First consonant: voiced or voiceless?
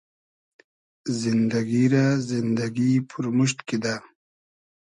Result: voiced